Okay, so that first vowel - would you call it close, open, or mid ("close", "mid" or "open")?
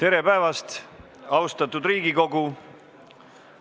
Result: mid